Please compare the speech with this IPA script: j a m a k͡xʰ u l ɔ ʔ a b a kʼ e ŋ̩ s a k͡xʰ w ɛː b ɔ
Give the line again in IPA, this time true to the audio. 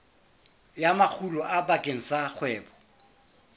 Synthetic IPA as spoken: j a m a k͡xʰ u l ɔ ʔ a b a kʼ e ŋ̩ s a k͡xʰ w ɛː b ɔ

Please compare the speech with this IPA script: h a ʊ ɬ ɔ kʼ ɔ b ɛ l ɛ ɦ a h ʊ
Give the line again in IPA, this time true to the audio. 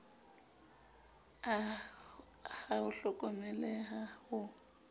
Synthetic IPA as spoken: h a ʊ ɬ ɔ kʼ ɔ m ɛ l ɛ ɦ a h ʊ

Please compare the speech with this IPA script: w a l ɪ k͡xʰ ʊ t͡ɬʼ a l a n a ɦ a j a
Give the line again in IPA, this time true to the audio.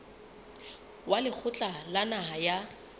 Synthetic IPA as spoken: w a l ɪ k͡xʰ ʊ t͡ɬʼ a l a n a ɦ a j a

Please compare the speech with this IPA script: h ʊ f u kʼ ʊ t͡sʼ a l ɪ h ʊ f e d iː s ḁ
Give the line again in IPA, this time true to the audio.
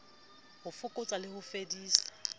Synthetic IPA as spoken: h ʊ f ʊ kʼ ʊ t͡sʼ a l ɪ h ʊ f e d iː s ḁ

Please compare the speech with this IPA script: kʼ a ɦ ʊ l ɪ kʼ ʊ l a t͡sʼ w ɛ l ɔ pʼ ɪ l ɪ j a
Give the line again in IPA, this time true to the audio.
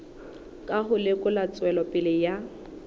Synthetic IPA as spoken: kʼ a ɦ ʊ l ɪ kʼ ʊ l a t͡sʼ w ɛ l ɔ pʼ ɪ l ɪ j a

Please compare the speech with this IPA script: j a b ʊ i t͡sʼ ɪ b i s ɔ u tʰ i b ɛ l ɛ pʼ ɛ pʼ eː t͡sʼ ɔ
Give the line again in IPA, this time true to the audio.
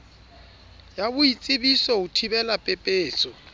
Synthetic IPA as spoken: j a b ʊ i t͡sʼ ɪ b i s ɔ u tʰ i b ɛ l a pʼ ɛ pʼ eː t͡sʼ ɔ

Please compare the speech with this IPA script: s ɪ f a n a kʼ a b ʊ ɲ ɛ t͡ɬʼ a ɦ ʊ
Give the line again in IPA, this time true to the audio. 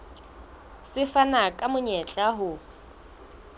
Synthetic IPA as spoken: s ɪ f a n a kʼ a m ʊ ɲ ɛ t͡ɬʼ a ɦ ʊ

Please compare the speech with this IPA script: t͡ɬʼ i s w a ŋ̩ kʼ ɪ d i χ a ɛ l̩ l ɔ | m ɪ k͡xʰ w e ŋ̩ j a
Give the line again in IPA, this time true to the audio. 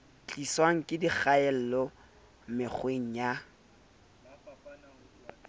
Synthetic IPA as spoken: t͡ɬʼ i s w a ŋ̩ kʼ ɪ d i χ a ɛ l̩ l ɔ | m ɪ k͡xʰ w e ŋ̩ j a

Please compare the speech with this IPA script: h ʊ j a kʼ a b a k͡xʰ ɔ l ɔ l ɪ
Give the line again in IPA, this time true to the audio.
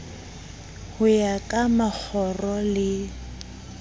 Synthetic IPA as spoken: h ʊ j a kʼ a m a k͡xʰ ɔ r ɔ l ɪ

